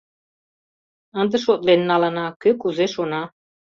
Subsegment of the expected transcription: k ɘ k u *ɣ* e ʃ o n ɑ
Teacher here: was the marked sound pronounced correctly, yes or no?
no